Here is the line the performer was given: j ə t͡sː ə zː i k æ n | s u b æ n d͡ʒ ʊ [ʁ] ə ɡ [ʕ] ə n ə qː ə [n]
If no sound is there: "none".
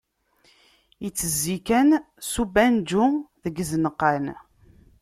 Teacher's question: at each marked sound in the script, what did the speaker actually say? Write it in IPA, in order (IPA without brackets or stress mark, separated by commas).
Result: ð, z, n